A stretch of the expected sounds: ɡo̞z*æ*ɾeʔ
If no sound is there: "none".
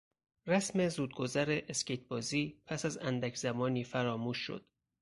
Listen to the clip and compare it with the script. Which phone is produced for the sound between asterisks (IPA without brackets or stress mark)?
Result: æ